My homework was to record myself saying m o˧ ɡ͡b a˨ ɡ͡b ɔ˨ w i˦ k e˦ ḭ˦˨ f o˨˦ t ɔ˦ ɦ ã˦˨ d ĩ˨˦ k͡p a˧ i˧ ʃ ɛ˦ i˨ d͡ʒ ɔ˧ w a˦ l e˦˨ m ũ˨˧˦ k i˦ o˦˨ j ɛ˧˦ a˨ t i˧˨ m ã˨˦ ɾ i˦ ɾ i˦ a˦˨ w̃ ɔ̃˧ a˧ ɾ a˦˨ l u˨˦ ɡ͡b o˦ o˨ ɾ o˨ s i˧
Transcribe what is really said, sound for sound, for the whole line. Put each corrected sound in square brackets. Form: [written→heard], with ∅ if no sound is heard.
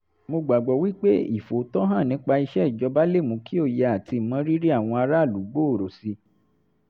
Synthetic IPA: m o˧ ɡ͡b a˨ ɡ͡b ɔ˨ w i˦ [k→k͡p] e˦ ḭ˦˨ f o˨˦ t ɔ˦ ɦ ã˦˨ [d→n] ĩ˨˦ k͡p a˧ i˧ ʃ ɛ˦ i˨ d͡ʒ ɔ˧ [w→b] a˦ l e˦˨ m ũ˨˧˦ k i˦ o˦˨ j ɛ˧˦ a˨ t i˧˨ m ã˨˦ ɾ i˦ ɾ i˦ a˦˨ w̃ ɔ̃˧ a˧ ɾ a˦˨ l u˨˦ ɡ͡b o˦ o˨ ɾ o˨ s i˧